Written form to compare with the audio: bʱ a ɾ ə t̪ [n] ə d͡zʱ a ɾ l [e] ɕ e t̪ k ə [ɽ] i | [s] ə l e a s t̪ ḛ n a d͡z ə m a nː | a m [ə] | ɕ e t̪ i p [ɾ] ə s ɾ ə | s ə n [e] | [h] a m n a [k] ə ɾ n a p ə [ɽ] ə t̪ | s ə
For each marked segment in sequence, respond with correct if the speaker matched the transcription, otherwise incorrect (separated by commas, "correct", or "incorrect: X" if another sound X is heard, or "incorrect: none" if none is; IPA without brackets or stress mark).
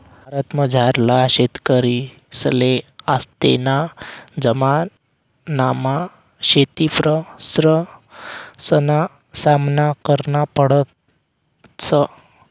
incorrect: m, incorrect: a, incorrect: ɾ, correct, incorrect: a, correct, incorrect: a, incorrect: s, correct, correct